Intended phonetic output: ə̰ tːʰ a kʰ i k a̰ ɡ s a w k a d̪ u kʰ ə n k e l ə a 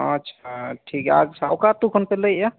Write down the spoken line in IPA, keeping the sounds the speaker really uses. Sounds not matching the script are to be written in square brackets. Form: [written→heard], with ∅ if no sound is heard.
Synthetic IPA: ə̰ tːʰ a [kʰ→ʈʰ] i k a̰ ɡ s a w k a [d̪→t̪] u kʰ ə n [k→p] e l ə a